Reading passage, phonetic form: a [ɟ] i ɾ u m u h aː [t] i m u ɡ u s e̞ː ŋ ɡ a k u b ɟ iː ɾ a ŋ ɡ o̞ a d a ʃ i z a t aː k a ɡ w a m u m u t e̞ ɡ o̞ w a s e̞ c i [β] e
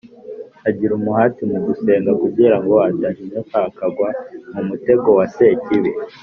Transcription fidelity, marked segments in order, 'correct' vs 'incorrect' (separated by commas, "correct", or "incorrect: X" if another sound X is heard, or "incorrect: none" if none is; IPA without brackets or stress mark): correct, correct, correct